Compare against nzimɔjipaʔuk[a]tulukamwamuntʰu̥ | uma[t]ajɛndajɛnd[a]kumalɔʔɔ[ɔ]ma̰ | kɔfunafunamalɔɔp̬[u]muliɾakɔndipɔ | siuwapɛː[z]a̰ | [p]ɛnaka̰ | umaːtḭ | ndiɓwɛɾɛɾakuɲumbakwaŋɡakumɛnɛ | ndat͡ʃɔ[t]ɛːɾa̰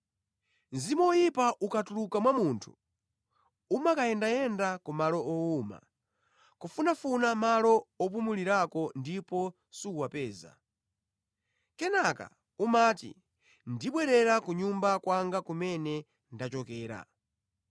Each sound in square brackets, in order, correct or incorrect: correct, incorrect: k, correct, incorrect: u, correct, correct, incorrect: k, incorrect: k

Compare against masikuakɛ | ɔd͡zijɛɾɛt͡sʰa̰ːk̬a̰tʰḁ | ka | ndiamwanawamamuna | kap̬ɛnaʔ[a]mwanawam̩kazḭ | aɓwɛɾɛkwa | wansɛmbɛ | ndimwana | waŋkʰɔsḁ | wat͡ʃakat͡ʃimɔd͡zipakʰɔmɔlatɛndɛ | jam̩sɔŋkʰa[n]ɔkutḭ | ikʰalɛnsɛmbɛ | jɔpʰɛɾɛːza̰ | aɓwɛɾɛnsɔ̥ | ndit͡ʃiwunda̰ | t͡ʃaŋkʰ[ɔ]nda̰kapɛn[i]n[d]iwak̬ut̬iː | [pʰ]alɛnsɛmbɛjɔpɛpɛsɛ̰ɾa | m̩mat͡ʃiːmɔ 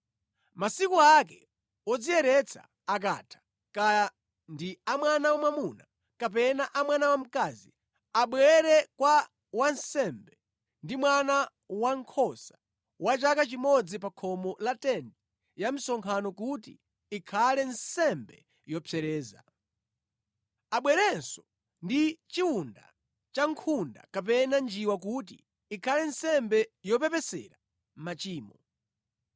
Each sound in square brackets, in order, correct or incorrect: correct, correct, incorrect: u, incorrect: a, incorrect: d͡ʒ, incorrect: kʰ

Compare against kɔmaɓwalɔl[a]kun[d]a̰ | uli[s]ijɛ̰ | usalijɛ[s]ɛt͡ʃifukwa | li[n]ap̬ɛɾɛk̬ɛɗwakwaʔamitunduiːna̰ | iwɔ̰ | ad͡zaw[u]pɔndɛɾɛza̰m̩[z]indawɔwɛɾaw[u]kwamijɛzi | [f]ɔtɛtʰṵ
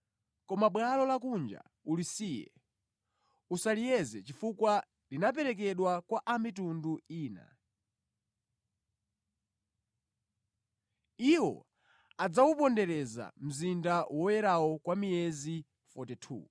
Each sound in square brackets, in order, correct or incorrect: correct, incorrect: d͡ʒ, correct, incorrect: z, correct, correct, correct, incorrect: ɔ, correct

